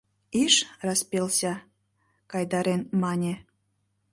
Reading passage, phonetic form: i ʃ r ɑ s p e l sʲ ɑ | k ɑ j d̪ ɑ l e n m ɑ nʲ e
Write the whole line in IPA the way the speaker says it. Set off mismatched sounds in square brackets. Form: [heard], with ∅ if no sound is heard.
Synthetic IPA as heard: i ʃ r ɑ s p e l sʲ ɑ | k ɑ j d̪ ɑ [ɾ] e n m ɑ nʲ e